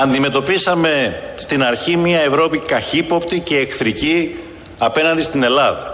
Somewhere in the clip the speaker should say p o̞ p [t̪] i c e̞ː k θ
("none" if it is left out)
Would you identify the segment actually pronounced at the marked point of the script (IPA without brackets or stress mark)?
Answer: t̪